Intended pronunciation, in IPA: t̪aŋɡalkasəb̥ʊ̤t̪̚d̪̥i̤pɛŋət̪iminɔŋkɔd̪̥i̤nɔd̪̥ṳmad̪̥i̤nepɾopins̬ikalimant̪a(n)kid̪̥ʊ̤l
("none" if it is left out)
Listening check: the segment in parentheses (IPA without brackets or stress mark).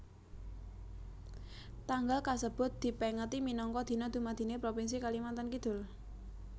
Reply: n